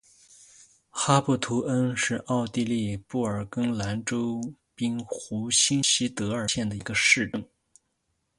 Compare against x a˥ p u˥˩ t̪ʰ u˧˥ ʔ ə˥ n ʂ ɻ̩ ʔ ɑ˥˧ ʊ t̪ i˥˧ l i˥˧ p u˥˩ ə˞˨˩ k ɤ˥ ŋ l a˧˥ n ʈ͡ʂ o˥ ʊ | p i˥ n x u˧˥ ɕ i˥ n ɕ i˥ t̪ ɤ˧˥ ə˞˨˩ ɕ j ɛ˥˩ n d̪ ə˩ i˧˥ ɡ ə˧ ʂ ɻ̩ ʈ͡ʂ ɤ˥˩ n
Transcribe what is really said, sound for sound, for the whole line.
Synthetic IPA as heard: x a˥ p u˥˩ t̪ʰ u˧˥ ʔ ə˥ n ʂ ɻ̩ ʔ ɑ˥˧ ʊ t̪ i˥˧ l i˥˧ p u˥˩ ə˞˨˩ k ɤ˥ ŋ l a˧˥ n ʈ͡ʂ o˥ ʊ | p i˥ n x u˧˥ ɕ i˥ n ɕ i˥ t̪ ɤ˧˥ ə˞˨˩ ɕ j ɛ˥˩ n d̪ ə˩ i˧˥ ɡ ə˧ ʂ ɻ̩ ʈ͡ʂ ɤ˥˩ ŋ

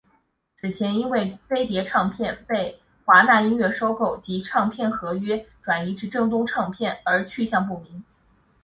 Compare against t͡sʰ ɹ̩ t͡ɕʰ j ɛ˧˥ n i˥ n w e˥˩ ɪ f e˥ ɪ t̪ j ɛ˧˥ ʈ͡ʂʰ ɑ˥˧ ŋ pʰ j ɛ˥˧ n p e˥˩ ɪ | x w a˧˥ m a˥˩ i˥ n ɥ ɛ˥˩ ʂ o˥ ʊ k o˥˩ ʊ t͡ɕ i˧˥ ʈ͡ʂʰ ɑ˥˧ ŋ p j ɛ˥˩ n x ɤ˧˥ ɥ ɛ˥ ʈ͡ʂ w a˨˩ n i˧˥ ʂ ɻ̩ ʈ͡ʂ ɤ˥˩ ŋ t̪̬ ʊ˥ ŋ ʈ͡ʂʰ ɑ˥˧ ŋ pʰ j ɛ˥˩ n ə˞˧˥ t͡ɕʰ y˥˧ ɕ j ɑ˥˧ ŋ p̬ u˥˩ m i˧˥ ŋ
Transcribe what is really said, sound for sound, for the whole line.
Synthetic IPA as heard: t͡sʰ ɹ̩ t͡ɕʰ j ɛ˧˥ n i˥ n w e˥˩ ɪ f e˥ ɪ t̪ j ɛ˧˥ ʈ͡ʂʰ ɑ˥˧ ŋ pʰ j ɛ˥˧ n p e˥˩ ɪ | x w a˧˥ n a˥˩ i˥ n ɥ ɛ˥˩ ʂ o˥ ʊ k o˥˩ ʊ t͡ɕ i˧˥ ʈ͡ʂʰ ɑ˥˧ ŋ pʰ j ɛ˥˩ n x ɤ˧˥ ɥ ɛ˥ ʈ͡ʂ w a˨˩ n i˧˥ ʈ͡ʂ ɻ̩ ʈ͡ʂ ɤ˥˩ ŋ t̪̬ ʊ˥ ŋ ʈ͡ʂʰ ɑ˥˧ ŋ pʰ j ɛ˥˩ n ə˞˧˥ t͡ɕʰ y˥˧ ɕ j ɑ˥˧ ŋ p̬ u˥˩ m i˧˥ ŋ

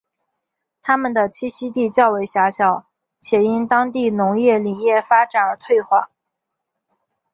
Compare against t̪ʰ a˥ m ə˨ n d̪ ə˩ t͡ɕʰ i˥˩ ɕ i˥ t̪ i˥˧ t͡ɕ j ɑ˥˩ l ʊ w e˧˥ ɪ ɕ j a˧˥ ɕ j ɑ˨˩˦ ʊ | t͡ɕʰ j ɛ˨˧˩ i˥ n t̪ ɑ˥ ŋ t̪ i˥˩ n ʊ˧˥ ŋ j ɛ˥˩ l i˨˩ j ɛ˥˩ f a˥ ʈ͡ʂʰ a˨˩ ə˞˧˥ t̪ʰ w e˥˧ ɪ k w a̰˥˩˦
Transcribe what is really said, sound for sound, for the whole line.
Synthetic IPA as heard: t̪ʰ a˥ m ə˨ n d̪ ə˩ t͡ɕʰ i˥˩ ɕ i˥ t̪ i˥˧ t͡ɕ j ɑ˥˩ ʊ w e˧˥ ɪ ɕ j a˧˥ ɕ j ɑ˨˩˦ ʊ | t͡ɕʰ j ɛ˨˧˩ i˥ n t̪ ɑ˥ ŋ t̪ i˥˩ n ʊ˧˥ ŋ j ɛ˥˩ l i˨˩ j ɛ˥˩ f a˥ ʈ͡ʂ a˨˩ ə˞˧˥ t̪ʰ w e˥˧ ɪ x w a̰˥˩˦

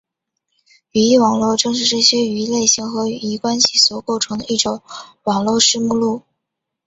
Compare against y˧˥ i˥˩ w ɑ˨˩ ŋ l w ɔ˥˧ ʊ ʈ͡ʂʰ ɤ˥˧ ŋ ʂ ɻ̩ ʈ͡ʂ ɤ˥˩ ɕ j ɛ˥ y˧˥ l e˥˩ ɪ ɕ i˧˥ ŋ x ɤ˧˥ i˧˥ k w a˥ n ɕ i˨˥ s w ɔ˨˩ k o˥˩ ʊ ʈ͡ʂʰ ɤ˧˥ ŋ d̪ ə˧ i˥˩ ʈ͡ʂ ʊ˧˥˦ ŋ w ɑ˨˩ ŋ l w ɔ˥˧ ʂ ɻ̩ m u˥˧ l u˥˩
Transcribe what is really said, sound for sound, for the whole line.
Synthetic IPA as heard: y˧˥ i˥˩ w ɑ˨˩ ŋ l w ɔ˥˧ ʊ ʈ͡ʂ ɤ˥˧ ŋ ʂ ɻ̩ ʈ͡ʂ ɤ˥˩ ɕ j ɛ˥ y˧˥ l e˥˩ ɪ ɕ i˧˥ ŋ x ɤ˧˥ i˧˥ k w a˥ n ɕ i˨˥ s w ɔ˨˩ k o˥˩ ʊ ʈ͡ʂʰ ɤ˧˥ ŋ d̪ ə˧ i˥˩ ʈ͡ʂ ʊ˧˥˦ ŋ w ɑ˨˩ ŋ l w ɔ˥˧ ʂ ɻ̩ m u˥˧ l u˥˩

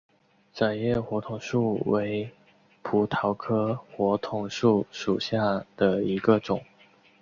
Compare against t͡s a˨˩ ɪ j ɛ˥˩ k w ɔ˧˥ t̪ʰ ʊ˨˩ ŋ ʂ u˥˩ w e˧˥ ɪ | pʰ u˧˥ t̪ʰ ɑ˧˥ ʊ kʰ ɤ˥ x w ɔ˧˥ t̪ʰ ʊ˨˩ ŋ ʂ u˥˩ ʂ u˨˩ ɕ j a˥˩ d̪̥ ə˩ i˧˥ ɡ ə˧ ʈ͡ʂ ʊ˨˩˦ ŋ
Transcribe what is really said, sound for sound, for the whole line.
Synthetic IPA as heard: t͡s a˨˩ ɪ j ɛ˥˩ x w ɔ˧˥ t̪ʰ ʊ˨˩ ŋ ʂ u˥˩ w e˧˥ ɪ | pʰ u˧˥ t̪ʰ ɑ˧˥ ʊ kʰ ɤ˥ x w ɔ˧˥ t̪ʰ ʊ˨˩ ŋ ʂ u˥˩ ʂ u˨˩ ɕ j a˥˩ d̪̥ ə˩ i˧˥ ɡ ə˧ ʈ͡ʂ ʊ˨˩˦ ŋ

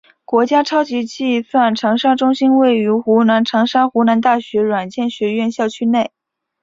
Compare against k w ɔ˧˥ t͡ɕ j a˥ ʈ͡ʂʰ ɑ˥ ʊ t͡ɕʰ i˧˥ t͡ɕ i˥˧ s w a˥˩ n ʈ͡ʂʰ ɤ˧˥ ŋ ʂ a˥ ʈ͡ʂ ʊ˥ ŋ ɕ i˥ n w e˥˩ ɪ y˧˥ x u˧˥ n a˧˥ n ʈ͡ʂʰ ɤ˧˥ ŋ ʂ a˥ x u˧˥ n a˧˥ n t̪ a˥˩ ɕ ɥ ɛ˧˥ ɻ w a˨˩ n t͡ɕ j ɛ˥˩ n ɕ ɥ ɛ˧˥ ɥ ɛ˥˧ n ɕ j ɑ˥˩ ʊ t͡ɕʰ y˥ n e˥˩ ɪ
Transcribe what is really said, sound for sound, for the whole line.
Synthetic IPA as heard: k w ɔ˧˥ t͡ɕ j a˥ ʈ͡ʂʰ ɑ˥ ʊ t͡ɕ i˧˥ t͡ɕ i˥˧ s w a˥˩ n ʈ͡ʂʰ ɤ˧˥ ŋ ʂ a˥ ʈ͡ʂ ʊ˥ ŋ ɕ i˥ n w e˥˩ ɪ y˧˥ x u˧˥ n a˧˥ n ʈ͡ʂʰ ɤ˧˥ ŋ ʂ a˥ x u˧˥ n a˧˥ n t̪ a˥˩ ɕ ɥ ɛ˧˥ ɻ w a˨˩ n t͡ɕ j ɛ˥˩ n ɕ ɥ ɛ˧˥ ɥ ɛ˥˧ n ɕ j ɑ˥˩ ʊ t͡ɕʰ y˥ n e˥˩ ɪ

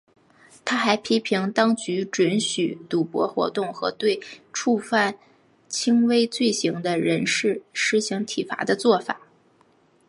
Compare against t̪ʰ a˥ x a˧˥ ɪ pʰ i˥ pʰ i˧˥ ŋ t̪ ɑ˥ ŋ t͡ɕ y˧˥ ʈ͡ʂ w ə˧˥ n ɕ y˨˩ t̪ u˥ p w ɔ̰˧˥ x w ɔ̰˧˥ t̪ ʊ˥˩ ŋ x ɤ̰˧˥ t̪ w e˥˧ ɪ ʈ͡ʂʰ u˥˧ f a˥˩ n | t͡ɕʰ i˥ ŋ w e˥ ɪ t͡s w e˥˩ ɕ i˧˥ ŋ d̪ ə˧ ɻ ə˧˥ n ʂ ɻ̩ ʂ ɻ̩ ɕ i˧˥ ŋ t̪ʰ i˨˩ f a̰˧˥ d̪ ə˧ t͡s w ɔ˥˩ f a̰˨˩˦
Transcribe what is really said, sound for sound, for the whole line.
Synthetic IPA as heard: t̪ʰ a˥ x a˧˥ ɪ pʰ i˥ pʰ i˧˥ ŋ t̪ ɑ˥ ŋ t͡ɕ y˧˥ ʈ͡ʂ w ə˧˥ n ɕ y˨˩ t̪ u˨˩ p w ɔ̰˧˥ x w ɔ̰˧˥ t̪ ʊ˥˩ ŋ x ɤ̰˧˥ t̪ w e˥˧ ɪ ʈ͡ʂʰ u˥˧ f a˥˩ n | t͡ɕʰ i˥ ŋ w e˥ ɪ t͡s w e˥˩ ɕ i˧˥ ŋ d̪ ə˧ ɻ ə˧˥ n ʂ ɻ̩ ʂ ɻ̩ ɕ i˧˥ ŋ t̪ʰ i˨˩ f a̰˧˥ d̪ ə˧ t͡s w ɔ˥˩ f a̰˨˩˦

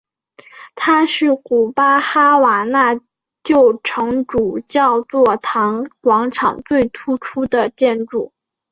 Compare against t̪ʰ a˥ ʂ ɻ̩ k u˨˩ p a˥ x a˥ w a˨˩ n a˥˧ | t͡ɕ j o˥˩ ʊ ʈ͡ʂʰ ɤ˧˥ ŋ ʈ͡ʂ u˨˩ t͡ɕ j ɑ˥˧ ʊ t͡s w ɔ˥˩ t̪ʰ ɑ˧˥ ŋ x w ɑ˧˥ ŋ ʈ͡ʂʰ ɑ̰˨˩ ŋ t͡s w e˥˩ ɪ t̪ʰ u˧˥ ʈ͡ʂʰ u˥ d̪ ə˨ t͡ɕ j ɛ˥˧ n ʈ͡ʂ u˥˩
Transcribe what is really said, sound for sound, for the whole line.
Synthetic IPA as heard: t̪ʰ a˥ ʂ ɻ̩ k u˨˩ p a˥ x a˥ w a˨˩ n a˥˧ | t͡ɕ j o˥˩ ʊ ʈ͡ʂʰ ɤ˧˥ ŋ ʈ͡ʂ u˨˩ t͡ɕ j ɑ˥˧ ʊ t͡s w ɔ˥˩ t̪ʰ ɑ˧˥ ŋ k w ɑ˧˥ ŋ ʈ͡ʂʰ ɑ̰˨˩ ŋ t͡s w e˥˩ ɪ t̪ʰ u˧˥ ʈ͡ʂʰ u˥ d̪ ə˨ t͡ɕ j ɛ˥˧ n ʈ͡ʂ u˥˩

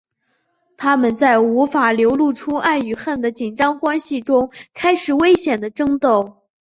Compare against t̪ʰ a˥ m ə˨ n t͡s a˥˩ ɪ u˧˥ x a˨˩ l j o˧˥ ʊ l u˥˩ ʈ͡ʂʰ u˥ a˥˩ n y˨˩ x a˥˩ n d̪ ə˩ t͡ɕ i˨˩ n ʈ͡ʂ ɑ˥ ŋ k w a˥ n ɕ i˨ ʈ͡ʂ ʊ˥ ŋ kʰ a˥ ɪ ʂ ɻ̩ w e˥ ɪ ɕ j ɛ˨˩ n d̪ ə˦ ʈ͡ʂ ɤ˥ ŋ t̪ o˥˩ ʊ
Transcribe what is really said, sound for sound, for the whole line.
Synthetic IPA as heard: t̪ʰ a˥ m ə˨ n t͡s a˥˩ ɪ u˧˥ f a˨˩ l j o˧˥ ʊ l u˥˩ ʈ͡ʂʰ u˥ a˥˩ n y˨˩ x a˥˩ n d̪ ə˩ t͡ɕ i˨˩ n ʈ͡ʂ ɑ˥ ŋ k w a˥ n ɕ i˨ ʈ͡ʂ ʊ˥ ŋ kʰ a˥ ɪ ʂ ɻ̩ w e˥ ɪ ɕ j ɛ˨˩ n d̪ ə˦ ʈ͡ʂ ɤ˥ ŋ t̪ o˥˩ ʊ

